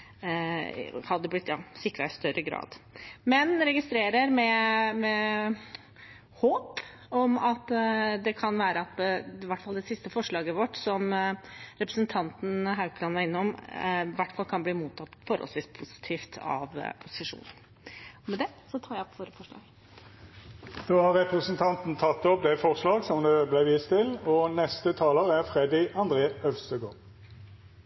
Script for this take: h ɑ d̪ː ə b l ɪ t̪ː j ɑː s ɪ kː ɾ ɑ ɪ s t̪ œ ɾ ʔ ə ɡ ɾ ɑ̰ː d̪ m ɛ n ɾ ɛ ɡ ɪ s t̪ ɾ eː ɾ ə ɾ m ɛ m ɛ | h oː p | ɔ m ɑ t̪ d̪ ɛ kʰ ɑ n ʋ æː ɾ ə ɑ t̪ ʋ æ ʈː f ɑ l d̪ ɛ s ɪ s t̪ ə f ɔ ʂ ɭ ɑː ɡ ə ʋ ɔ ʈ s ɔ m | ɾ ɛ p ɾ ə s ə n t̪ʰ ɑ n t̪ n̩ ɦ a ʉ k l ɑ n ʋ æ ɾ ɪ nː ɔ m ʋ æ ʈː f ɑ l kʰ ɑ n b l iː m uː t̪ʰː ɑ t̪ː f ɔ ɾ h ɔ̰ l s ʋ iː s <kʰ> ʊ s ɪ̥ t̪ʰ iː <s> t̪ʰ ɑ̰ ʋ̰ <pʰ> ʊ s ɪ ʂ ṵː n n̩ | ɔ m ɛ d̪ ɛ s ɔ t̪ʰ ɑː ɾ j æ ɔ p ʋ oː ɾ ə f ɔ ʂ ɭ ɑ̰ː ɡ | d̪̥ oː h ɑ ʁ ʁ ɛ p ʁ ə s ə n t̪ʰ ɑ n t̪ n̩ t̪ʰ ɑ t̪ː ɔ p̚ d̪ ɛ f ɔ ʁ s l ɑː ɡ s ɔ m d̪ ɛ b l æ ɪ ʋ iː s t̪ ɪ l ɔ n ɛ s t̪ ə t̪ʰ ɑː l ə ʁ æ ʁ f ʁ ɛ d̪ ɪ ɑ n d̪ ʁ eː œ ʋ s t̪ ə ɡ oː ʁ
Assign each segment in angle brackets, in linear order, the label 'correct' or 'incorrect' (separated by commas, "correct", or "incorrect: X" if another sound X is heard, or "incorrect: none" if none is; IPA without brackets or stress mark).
incorrect: pʰ, incorrect: f, correct